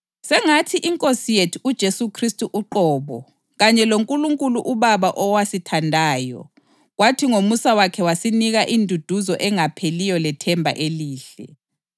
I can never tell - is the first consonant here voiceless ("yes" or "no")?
yes